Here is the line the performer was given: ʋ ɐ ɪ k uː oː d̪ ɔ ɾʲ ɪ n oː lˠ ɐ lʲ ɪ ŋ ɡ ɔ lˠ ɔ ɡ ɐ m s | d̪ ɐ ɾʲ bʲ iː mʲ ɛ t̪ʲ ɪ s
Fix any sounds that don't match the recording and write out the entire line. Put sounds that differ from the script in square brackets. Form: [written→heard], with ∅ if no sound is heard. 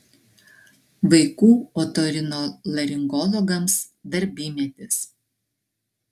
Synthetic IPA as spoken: ʋ ɐ ɪ k uː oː [d̪→t̪] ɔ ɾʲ ɪ n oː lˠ ɐ [lʲ→ɾʲ] ɪ ŋ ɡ ɔ lˠ ɔ ɡ ɐ m s | d̪ ɐ ɾʲ bʲ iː mʲ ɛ t̪ʲ ɪ s